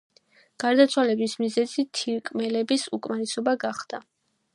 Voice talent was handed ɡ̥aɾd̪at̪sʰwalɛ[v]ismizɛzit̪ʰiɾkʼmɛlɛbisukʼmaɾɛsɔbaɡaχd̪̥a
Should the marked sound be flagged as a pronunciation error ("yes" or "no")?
yes